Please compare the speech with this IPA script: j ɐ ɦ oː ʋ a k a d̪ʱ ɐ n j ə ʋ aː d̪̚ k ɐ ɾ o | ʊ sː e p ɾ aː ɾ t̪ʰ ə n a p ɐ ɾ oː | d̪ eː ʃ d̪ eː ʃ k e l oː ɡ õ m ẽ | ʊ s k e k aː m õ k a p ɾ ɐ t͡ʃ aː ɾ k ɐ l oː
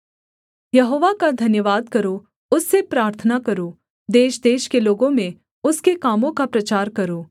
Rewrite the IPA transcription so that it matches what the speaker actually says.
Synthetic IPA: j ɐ ɦ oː ʋ a k a d̪ʱ ɐ n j ə ʋ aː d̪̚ k ɐ ɾ o | ʊ sː e p ɾ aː ɾ t̪ʰ ə n a k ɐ ɾ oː | d̪ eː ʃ d̪ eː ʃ k e l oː ɡ õ m ẽ | ʊ s k e k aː m õ k a p ɾ ɐ t͡ʃ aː ɾ k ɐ ɾ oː